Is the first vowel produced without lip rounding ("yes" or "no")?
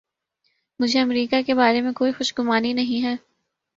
no